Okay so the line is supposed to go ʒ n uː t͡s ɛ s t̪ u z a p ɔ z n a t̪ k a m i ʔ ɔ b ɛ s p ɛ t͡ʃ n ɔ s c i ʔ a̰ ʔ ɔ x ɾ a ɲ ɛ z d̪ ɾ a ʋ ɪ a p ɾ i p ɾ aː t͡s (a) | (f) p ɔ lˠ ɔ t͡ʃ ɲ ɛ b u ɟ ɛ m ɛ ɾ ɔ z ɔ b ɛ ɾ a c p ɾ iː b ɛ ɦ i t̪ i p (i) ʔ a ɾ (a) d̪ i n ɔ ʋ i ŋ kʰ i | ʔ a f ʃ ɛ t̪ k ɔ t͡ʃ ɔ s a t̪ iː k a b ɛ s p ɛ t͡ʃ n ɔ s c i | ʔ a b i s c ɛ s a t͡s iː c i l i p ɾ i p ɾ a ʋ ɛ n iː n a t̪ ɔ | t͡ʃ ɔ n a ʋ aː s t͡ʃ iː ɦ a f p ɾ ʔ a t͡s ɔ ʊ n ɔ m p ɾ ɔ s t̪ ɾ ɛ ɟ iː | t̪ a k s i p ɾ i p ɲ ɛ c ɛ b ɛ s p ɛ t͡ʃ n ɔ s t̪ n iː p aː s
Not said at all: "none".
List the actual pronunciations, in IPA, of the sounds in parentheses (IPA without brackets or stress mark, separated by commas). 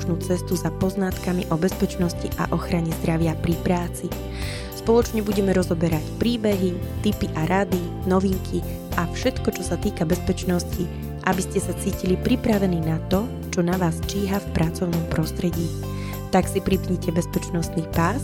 i, s, i, a